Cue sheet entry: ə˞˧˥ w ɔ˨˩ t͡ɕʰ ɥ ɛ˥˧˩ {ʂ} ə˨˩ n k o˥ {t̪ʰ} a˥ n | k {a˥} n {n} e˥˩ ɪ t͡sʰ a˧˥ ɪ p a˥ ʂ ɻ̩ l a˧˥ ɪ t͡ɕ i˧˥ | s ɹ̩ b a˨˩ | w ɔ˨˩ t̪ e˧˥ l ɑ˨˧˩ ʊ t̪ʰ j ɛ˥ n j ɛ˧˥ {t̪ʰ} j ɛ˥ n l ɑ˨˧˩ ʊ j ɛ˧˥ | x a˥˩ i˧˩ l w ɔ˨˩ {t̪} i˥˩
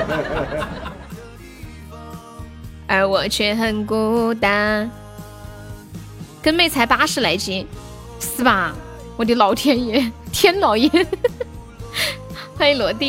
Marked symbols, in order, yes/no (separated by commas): no, no, no, no, yes, yes